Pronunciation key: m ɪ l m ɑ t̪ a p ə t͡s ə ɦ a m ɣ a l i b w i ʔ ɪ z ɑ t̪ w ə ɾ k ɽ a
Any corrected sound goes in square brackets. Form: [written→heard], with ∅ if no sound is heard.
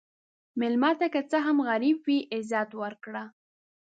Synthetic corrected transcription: m ɪ l m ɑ t̪ a [p→k] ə t͡s ə ɦ a m ɣ a [l→ɾ] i b w i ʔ ɪ z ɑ t̪ w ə ɾ k ɽ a